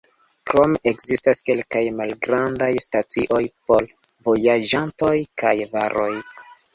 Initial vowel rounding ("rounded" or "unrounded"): rounded